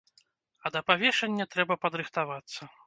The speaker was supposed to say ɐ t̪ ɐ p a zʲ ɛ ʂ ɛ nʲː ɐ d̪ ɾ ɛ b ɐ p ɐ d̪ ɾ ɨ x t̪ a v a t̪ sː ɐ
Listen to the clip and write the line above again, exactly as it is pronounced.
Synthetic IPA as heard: ɐ d̪ ɐ p a vʲ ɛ ʂ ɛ nʲː ɐ t̪ ɾ ɛ b ɐ p ɐ d̪ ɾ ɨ x t̪ a v a t̪ sː ɐ